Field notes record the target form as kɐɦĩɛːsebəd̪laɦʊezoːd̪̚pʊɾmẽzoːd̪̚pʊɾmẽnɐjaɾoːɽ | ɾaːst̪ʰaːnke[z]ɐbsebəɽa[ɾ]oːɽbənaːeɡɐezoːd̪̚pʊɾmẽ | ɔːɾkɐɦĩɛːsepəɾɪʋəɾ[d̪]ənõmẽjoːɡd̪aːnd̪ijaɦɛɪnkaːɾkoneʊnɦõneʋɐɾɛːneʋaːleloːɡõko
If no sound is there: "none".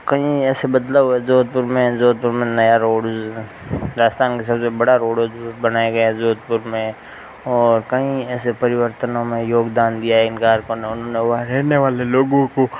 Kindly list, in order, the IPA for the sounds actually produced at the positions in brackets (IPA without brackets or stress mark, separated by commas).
s, ɾ, t̪